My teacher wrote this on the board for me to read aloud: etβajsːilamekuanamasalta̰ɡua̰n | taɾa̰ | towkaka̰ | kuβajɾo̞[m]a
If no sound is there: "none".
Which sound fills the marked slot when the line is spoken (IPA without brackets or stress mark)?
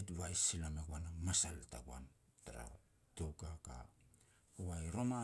m